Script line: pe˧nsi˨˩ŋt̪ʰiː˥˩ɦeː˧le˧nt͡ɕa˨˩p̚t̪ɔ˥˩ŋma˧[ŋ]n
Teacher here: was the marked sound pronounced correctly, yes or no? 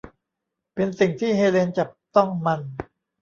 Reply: no